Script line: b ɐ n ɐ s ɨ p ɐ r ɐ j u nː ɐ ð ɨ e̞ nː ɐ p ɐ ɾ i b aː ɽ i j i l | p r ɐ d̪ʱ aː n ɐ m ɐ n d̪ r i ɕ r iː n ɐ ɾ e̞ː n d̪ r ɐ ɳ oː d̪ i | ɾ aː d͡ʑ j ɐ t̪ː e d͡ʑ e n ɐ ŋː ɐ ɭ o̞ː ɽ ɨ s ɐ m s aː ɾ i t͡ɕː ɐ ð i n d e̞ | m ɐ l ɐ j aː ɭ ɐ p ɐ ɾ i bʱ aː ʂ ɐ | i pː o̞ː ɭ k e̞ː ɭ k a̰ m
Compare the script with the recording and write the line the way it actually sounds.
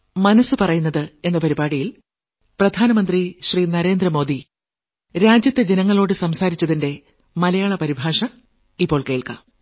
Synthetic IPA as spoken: m ɐ n ɐ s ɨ p ɐ r ɐ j u nː ɐ ð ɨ e̞ nː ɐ p ɐ ɾ i b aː ɽ i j i l | p r ɐ d̪ʱ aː n ɐ m ɐ n d̪ r i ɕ r iː n ɐ ɾ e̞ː n d̪ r ɐ m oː d̪ i | ɾ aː d͡ʑ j ɐ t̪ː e d͡ʑ e n ɐ ŋː ɐ ɭ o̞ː ɽ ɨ s ɐ m s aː ɾ i t͡ɕː ɐ ð i n d e̞ | m ɐ l ɐ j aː ɭ ɐ p ɐ ɾ i bʱ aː ʂ ɐ | i pː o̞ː ɭ k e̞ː ɭ k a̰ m